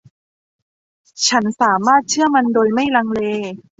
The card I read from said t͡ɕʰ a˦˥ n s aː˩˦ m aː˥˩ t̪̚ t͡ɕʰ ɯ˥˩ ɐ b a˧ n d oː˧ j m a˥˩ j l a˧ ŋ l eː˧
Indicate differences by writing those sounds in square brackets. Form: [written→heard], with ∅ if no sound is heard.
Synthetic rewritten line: t͡ɕʰ a˦˥ n s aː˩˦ m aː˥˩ t̪̚ t͡ɕʰ ɯ˥˩ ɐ [b→m] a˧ n d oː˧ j m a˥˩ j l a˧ ŋ l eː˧